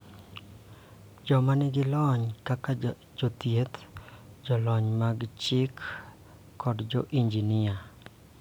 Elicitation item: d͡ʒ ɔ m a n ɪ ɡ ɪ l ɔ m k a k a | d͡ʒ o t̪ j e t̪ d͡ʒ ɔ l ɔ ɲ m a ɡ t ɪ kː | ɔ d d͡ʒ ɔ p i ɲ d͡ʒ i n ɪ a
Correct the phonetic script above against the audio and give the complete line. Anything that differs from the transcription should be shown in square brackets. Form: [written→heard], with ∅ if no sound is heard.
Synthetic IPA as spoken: d͡ʒ ɔ m a n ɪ ɡ ɪ l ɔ [m→ɲ] k a k a | d͡ʒ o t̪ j e t̪ d͡ʒ ɔ l ɔ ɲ m a ɡ [t→t͡ʃ] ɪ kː | ɔ d d͡ʒ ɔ [p→ʔ] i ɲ d͡ʒ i n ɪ a